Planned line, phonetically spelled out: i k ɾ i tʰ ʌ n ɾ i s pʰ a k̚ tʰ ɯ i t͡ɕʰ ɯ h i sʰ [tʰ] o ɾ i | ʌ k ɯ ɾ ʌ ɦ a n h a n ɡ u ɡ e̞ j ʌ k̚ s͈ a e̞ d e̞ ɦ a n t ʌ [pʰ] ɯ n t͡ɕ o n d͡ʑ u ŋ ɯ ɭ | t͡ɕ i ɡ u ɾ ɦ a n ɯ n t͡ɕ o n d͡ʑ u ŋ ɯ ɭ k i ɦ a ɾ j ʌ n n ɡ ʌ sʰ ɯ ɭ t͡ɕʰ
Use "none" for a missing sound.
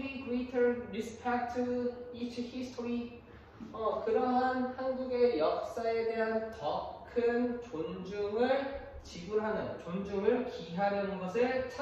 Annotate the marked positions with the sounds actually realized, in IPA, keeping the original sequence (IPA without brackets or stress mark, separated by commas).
tʰ, kʰ